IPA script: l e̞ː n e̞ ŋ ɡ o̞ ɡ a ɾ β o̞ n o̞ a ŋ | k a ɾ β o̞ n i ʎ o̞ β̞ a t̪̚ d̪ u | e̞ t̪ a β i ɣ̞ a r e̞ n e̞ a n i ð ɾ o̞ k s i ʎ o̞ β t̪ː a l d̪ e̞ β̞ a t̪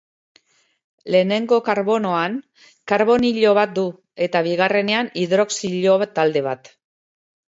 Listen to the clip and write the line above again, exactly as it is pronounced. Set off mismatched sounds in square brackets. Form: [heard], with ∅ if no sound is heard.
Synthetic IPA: l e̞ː n e̞ ŋ ɡ o̞ [k] a ɾ β o̞ n o̞ a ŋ | k a ɾ β o̞ n i ʎ o̞ β̞ a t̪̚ d̪ u | e̞ t̪ a β i ɣ̞ a r e̞ n e̞ a n i ð ɾ o̞ k s i ʎ o̞ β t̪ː a l d̪ e̞ β̞ a t̪